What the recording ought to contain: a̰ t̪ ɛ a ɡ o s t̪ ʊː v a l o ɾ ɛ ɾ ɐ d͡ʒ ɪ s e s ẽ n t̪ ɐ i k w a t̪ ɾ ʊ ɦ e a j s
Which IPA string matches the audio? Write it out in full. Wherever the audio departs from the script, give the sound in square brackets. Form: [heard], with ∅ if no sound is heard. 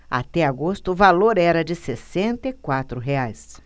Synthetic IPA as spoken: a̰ t̪ ɛ a ɡ o s t̪ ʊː v a l o ɾ ɛ ɾ ɐ d͡ʒ ɪ s e s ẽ n t̪ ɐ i k w a t̪ ɾ ʊ ɦ e a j s